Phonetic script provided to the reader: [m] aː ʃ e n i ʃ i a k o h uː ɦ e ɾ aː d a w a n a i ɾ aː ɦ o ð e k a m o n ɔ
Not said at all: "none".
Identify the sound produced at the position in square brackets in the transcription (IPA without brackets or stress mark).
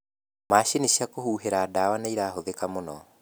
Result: m